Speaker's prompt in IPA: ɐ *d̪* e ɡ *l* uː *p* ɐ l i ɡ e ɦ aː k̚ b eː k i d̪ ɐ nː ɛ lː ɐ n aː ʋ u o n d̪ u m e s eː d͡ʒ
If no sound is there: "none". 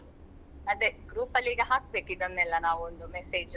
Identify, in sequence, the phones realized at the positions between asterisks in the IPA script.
d̪, ɾ, p

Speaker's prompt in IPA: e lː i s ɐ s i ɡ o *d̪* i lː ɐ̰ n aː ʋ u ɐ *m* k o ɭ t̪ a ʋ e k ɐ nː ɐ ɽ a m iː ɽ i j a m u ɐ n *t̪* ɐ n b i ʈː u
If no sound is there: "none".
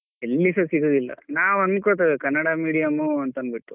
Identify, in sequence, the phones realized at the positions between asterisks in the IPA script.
d̪, n, t̪

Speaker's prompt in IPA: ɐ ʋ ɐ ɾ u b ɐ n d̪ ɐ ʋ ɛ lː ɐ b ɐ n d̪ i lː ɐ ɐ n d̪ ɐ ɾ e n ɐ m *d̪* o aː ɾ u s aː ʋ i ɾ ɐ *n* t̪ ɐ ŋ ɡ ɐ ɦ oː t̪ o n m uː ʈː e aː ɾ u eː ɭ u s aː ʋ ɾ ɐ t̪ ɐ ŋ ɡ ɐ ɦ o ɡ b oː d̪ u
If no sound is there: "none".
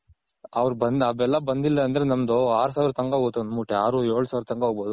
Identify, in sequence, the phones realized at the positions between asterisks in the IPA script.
d̪, none

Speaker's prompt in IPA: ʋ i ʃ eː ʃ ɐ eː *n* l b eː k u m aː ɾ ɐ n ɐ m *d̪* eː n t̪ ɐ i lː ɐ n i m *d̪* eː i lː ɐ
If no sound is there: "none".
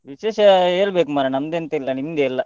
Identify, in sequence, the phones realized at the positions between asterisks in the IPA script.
none, d̪, d̪

